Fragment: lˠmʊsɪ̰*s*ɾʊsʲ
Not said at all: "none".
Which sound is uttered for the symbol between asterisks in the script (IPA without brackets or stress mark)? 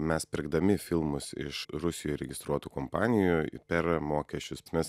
ʃ